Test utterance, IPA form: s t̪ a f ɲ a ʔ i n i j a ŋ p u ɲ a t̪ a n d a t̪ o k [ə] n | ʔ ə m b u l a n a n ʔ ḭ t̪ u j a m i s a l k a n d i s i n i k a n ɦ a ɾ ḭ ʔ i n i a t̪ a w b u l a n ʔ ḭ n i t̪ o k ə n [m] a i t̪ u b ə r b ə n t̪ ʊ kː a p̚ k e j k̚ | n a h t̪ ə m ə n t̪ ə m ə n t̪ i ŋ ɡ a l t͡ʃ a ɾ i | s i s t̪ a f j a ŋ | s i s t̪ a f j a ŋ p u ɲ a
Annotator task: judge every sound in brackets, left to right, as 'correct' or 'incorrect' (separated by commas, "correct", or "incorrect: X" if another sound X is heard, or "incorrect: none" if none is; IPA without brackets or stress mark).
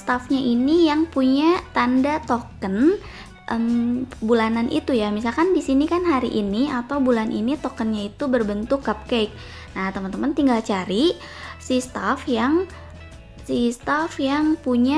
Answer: correct, incorrect: ɲ